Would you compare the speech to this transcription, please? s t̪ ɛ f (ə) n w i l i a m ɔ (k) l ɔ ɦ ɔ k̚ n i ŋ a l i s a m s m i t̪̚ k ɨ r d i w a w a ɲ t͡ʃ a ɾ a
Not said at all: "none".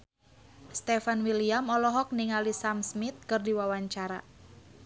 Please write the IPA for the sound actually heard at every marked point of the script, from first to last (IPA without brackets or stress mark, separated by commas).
a, none